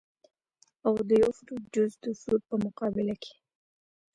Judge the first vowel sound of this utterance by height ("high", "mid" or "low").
low